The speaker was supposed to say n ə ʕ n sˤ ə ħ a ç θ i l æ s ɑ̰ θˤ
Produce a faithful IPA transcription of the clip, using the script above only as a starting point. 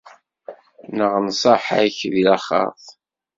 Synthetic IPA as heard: n ə ʁ n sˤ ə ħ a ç ð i l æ χ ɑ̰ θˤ